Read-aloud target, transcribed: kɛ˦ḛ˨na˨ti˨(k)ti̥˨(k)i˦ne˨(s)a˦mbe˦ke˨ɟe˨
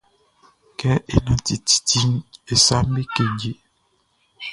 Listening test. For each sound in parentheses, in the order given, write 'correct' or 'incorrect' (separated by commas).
incorrect, incorrect, correct